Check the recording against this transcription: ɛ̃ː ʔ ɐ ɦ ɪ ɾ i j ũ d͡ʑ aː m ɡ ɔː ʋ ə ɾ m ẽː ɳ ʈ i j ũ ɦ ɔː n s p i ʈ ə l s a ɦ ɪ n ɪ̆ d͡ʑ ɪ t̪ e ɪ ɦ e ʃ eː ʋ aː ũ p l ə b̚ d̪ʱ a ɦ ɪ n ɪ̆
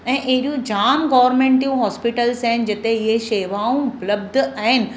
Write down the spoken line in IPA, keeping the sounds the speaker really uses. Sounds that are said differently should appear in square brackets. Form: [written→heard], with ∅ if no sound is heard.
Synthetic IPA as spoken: ɛ̃ː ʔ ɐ ɦ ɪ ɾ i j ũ d͡ʑ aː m ɡ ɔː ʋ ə ɾ m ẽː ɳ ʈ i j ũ ɦ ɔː [n→∅] s p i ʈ ə l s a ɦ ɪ n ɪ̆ d͡ʑ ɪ t̪ e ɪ ɦ e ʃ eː ʋ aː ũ p l ə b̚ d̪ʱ a ɦ ɪ n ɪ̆